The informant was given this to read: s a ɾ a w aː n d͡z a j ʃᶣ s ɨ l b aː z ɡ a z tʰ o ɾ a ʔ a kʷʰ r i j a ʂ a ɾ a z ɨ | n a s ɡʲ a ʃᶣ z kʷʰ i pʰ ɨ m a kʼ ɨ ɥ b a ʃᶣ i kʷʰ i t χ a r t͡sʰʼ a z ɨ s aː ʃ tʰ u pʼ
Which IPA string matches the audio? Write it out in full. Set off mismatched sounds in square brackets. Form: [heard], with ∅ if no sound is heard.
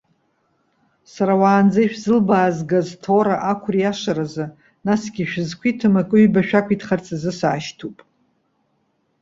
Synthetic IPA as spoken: s a ɾ a w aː n d͡z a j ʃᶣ [z] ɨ l b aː z ɡ a z tʰ o ɾ a ʔ a kʷʰ r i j a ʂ a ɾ a z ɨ | n a s ɡʲ [i] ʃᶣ z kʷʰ i [tʰ] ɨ m a kʼ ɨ ɥ b a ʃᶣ [a] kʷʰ i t χ a r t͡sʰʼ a z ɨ s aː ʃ tʰ u pʼ

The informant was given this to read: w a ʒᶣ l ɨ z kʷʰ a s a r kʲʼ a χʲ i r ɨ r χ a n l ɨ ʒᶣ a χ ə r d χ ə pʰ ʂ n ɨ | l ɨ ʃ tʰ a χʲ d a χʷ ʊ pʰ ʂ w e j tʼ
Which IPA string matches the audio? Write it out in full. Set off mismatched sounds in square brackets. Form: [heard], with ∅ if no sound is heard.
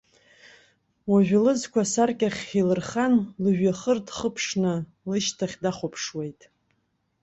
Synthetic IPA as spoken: w a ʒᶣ l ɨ z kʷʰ a s a r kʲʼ a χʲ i [l] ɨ r χ a n l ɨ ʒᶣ a χ ə r d χ ə pʰ ʂ n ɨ | l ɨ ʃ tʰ a χʲ d a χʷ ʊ pʰ ʂ w e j tʼ

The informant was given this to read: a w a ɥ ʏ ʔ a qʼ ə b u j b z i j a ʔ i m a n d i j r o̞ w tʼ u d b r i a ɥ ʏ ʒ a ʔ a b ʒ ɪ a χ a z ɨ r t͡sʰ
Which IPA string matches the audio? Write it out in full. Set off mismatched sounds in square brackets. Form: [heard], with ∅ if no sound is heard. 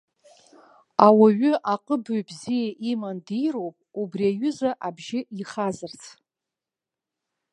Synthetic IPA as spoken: a w a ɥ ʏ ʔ a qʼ ə b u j b z i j a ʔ i m a n d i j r o̞ w [pʼ] u [∅] b r i a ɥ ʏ [z] a ʔ a b ʒ ɪ [i] χ a z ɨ r t͡sʰ

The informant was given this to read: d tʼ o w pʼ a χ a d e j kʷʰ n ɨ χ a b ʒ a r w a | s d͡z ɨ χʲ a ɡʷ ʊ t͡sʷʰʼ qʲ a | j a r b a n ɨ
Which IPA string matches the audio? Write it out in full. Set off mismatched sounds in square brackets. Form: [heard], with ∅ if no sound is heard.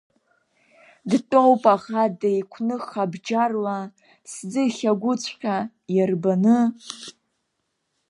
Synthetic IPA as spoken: d tʼ o w pʼ a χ a d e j kʷʰ n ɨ χ a b [d͡ʒ] a r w a | s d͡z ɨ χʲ a ɡʷ ʊ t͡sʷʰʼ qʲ a | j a r b a n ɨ

